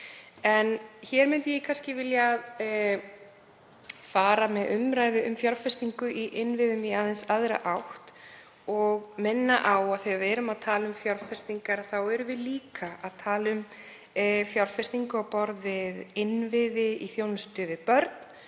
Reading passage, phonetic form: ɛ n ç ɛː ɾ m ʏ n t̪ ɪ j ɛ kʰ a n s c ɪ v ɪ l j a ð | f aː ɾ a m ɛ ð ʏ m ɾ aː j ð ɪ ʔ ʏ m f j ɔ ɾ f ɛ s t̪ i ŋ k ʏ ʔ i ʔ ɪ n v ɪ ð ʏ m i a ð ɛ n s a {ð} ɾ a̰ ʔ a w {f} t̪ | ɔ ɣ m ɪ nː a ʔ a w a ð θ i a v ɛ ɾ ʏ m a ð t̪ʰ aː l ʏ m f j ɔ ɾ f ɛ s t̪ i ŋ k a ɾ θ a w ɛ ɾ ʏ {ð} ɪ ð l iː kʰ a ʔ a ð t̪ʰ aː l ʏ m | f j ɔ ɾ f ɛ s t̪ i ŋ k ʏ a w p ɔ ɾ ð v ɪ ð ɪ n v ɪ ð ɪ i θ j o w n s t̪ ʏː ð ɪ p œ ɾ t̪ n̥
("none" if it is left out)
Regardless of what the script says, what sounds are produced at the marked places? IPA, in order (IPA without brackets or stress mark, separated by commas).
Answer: ð, h, v